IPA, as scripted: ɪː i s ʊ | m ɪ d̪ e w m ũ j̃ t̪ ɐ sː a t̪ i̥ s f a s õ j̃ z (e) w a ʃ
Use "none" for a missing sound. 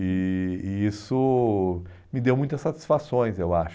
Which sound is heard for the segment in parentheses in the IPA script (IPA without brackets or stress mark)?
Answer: e